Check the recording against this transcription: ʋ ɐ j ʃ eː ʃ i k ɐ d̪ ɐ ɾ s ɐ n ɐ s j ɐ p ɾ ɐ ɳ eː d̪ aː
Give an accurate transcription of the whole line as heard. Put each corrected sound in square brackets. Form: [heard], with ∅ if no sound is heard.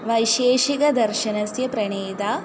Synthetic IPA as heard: ʋ ɐ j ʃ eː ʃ i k ɐ d̪ ɐ ɾ [ʃ] ɐ n ɐ s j ɐ p ɾ ɐ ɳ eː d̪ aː